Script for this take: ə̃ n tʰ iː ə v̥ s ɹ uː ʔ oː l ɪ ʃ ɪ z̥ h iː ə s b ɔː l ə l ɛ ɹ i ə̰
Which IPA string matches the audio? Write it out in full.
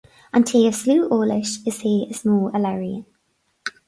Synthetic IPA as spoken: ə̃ n tʰ iː ə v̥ s l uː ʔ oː l ɪ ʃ ɪ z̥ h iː ə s m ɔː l ə l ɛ ɹ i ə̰